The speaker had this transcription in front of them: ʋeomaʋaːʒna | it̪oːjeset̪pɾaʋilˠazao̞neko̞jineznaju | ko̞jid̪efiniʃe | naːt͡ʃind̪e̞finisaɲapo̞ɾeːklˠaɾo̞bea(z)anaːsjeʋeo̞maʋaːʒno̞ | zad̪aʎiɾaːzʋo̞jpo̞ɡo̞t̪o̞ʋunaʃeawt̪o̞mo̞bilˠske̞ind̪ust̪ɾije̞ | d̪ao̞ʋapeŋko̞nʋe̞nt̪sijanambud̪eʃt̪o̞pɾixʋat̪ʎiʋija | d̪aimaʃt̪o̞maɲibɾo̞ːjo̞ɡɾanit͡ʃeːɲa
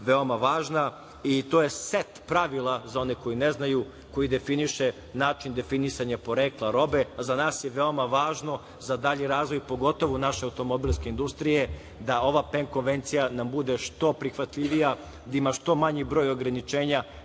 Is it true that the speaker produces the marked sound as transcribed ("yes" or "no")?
yes